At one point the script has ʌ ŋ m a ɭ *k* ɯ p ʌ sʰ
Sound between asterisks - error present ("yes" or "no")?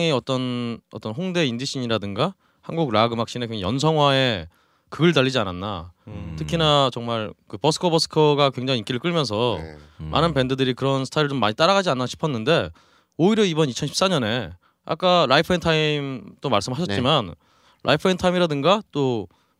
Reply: no